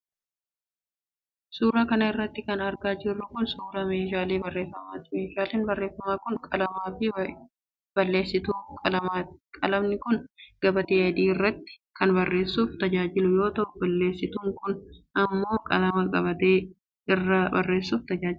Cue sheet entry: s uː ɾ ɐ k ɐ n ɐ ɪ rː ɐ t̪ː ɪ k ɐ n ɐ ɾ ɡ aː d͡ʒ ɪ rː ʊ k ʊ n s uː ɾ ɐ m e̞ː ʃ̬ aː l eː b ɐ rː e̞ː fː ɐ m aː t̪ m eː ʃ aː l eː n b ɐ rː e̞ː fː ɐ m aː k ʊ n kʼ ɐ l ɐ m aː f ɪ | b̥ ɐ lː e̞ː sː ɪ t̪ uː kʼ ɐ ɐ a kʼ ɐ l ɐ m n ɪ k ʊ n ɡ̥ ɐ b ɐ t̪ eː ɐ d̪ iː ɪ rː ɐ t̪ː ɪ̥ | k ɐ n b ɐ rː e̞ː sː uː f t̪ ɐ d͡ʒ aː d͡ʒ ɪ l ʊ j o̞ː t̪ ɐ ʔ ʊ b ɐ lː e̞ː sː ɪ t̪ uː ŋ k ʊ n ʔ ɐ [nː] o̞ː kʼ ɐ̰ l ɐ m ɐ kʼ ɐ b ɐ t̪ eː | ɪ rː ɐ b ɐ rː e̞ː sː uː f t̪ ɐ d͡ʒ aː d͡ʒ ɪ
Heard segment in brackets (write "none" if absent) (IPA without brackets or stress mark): mː